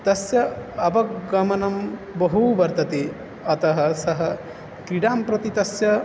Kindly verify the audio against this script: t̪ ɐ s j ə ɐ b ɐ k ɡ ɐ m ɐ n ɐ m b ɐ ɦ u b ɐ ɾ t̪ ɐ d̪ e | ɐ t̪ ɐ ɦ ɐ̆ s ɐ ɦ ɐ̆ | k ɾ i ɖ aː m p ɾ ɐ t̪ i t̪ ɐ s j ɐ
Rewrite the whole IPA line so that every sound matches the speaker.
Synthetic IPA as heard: t̪ ɐ s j ɐ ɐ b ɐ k ɡ ɐ m ɐ n ɐ m b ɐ ɦ u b ɐ ɾ t̪ ɐ t̪ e | ɐ t̪ ɐ ɦ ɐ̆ s ɐ ɦ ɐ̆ | k ɾ i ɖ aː m p ɾ ɐ t̪ i t̪ ɐ s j ɐ